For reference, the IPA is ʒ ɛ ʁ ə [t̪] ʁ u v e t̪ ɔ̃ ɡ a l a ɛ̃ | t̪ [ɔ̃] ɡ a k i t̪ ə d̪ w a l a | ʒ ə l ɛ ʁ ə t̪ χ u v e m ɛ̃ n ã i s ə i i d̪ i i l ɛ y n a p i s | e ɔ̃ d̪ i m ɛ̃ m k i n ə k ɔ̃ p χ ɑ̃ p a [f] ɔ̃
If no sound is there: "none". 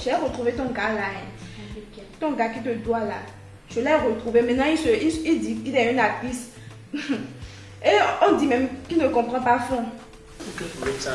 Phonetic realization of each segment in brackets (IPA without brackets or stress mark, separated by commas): t̪, ɔ̃, f